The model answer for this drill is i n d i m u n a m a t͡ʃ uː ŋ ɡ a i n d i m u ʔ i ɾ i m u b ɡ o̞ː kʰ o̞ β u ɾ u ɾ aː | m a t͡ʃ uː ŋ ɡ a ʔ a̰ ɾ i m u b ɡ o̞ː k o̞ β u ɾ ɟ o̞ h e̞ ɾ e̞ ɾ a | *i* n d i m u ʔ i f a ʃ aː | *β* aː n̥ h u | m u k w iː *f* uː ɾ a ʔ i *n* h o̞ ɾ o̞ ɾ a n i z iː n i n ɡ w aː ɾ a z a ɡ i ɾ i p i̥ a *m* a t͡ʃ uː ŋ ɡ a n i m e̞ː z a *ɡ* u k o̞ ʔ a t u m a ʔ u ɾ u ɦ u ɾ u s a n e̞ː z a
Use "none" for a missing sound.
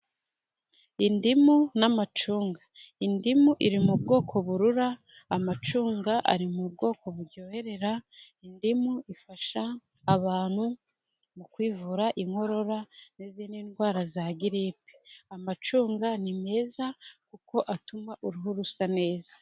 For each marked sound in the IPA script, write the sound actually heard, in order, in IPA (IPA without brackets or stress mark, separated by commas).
i, β, v, ŋ, m, k